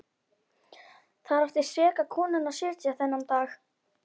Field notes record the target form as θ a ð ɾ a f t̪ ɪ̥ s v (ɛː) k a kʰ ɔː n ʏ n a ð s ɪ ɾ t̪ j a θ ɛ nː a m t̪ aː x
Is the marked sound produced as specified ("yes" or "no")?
yes